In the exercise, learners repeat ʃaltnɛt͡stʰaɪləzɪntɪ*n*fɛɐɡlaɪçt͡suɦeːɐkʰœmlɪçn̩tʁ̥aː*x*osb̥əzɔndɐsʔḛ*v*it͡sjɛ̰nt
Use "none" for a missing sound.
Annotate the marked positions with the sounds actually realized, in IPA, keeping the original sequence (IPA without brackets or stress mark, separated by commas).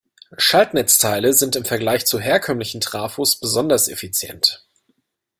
m, f, f